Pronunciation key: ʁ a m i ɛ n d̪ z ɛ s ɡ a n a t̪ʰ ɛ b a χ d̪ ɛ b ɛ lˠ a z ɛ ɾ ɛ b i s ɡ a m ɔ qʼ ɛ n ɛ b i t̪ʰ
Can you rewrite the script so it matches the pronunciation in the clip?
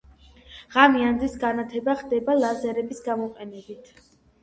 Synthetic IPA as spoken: ʁ a m i a n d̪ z i s ɡ a n a t̪ʰ ɛ b a χ d̪ ɛ b a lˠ a z ɛ ɾ ɛ b i s ɡ a m ɔ qʼ ɛ n ɛ b i t̪ʰ